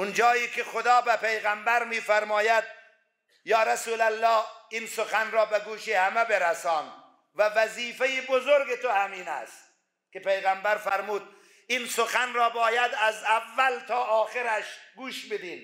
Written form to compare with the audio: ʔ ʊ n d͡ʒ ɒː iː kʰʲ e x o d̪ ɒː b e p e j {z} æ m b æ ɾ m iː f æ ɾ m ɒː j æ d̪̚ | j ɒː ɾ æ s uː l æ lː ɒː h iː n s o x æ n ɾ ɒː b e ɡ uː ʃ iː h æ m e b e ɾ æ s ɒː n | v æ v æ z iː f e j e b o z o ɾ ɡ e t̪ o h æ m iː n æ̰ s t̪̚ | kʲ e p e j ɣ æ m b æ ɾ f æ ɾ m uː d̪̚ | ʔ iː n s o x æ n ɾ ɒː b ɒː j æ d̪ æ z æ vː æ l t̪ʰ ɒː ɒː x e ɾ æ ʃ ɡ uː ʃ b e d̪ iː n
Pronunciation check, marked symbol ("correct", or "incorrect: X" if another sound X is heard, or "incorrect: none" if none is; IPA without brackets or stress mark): incorrect: ɣ